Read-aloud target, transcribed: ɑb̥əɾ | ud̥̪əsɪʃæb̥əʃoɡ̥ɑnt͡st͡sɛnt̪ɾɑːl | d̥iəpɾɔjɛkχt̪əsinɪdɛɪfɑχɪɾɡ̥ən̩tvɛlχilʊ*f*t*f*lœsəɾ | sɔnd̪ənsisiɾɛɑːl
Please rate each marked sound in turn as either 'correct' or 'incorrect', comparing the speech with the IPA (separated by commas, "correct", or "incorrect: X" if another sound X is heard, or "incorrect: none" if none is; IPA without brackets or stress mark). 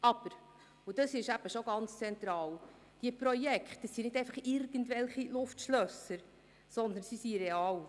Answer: correct, incorrect: ʃ